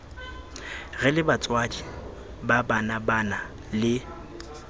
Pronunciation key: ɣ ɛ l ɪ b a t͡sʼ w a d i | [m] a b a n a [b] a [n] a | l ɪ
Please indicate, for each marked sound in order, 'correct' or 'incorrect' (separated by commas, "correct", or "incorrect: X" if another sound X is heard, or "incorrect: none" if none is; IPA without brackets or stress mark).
incorrect: b, correct, correct